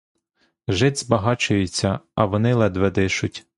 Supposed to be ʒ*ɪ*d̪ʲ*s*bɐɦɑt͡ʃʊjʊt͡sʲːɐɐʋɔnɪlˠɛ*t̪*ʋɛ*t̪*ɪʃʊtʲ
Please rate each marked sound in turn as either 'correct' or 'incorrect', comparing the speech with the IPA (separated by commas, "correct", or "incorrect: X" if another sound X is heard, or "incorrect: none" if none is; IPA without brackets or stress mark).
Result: correct, incorrect: z, incorrect: d̪, incorrect: d̪